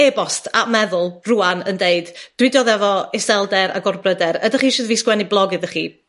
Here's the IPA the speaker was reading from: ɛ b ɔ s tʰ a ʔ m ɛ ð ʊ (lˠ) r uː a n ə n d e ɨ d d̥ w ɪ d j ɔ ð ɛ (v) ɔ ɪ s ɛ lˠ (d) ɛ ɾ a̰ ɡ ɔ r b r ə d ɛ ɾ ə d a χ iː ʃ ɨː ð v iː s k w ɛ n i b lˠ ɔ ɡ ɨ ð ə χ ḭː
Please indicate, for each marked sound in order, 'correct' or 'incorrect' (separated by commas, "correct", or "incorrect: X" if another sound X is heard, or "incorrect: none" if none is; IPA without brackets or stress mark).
correct, correct, correct